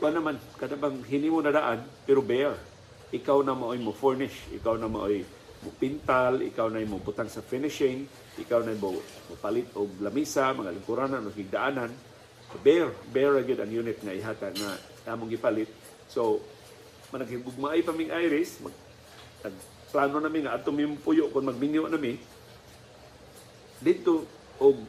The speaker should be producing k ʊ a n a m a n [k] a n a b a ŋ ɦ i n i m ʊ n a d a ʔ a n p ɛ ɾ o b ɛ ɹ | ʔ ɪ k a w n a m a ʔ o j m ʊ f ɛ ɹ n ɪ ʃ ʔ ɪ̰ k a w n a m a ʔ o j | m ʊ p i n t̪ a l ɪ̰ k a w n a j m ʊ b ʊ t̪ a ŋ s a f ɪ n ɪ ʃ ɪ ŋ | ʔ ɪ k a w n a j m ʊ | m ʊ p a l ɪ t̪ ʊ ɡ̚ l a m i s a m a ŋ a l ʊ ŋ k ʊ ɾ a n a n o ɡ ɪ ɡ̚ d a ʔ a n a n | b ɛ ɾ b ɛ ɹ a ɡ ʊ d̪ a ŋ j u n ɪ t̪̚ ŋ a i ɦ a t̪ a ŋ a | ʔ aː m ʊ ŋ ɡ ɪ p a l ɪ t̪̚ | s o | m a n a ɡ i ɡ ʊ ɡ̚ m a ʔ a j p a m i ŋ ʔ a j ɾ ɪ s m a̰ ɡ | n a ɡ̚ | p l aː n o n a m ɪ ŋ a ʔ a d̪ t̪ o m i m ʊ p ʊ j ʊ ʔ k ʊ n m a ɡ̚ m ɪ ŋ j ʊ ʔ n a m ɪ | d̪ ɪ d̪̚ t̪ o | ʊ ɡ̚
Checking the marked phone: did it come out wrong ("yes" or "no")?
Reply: no